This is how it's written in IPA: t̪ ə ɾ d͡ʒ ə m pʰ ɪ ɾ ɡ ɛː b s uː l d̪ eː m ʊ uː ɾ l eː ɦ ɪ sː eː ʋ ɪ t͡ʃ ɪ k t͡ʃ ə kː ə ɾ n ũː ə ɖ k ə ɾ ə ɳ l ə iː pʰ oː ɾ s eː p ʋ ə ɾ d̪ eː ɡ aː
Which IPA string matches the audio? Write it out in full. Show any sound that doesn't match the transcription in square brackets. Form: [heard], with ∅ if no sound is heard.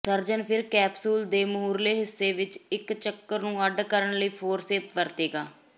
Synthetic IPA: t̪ ə ɾ d͡ʒ ə [n] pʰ ɪ ɾ [k] ɛː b s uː l d̪ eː m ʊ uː ɾ l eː ɦ ɪ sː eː ʋ ɪ t͡ʃ ɪ k t͡ʃ ə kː ə ɾ n ũː ə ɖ k ə ɾ ə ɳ l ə iː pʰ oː ɾ s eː p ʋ ə ɾ [t̪] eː ɡ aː